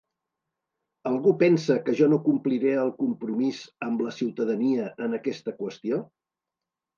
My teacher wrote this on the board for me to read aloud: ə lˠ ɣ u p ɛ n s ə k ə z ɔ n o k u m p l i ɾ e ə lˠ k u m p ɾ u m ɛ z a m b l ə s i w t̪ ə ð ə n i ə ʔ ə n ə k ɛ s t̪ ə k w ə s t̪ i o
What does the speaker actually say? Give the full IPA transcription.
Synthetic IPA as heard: ə lˠ ɣ u p ɛ n s ə k ə ʒ ɔ n o k u m p l i ɾ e ə lˠ k u m p ɾ u m i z ə m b l ə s i w t̪ ə ð ə n i ə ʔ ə n ə k ɛ s t̪ ə k w ə s t̪ i o